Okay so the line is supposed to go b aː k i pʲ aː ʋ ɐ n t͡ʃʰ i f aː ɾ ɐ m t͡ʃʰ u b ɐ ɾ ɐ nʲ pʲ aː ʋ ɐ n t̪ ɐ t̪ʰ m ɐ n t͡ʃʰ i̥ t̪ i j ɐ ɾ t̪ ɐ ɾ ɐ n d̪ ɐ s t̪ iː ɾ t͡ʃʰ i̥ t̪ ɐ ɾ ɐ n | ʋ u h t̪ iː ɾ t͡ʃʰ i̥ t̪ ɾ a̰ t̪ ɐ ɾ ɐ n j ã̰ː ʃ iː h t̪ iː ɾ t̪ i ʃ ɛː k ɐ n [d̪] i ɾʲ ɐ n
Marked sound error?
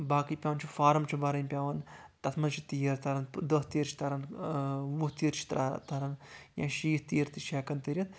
yes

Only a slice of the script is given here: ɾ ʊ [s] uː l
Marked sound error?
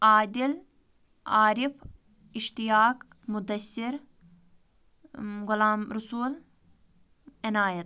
no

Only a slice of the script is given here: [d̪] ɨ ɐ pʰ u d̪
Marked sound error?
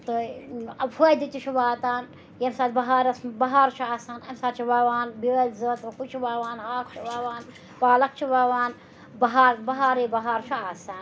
yes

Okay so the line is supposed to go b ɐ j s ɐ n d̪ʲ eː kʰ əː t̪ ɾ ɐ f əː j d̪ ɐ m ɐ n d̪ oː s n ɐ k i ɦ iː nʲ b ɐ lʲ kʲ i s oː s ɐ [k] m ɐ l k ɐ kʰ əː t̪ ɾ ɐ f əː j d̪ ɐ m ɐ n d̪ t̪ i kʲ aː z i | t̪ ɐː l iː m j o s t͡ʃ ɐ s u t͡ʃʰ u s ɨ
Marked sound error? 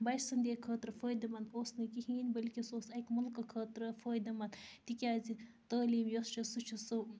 no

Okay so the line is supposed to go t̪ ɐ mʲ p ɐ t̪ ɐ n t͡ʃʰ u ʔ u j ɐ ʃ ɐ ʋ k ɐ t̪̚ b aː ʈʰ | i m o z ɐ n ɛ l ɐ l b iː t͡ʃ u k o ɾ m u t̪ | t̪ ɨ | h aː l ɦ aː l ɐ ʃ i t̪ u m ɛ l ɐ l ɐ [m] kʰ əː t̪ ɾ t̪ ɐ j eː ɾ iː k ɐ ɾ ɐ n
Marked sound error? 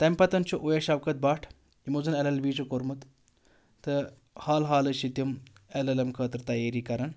no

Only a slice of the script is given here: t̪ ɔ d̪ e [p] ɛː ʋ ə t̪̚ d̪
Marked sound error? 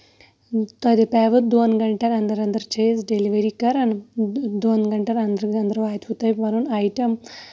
no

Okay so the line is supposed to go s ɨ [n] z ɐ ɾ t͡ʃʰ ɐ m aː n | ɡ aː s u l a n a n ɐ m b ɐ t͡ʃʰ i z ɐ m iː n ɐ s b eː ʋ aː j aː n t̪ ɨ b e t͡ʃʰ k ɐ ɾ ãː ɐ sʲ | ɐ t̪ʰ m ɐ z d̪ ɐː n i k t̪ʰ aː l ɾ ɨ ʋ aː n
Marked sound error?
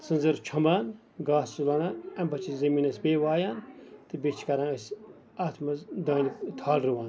no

